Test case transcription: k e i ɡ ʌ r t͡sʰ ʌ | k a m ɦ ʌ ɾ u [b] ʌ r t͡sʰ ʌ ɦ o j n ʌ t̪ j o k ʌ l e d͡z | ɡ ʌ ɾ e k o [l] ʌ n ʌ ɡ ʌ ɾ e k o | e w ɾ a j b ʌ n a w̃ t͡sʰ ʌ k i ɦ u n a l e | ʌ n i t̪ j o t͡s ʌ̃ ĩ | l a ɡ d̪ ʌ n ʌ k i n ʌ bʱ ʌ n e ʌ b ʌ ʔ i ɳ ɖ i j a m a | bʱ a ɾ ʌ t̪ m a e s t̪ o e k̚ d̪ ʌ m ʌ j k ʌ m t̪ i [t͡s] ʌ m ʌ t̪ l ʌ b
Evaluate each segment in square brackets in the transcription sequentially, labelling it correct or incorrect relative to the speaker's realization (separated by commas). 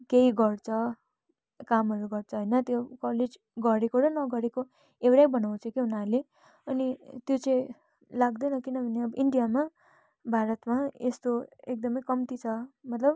incorrect, incorrect, incorrect